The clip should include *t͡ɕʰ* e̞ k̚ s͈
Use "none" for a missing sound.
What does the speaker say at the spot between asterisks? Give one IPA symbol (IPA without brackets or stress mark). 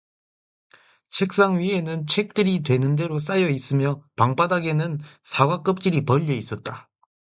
t͡ɕʰ